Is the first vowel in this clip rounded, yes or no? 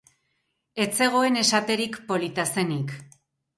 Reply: no